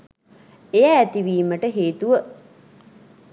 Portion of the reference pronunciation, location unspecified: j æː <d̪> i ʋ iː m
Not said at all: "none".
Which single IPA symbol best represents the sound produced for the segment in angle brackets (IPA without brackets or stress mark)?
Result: t̪